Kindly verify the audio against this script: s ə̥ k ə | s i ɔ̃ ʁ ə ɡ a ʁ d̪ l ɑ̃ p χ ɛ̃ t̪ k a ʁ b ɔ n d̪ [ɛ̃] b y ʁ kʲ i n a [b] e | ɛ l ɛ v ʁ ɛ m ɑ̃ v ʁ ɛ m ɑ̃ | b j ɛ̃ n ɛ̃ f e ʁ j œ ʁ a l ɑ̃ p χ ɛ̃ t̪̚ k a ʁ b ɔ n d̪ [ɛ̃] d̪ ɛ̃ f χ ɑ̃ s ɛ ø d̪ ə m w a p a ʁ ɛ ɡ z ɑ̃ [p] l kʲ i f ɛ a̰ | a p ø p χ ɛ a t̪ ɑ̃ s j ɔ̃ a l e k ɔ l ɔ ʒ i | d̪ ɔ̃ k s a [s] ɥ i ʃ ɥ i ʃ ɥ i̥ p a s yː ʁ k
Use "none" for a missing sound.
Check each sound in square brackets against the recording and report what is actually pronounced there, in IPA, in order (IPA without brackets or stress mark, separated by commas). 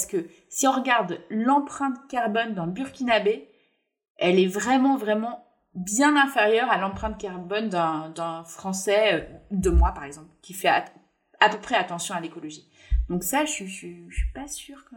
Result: ɛ̃, b, ɛ̃, p, ʃ